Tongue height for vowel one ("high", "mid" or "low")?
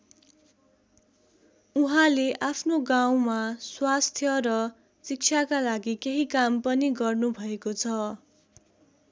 high